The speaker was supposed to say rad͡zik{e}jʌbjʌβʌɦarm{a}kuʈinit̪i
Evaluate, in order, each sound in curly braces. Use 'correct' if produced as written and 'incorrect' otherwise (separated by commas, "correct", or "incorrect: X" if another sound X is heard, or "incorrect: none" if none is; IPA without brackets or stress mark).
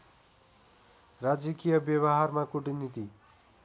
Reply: incorrect: i, correct